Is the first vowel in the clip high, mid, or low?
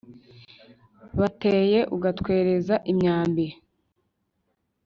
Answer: low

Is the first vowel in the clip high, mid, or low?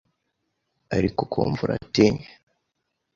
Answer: low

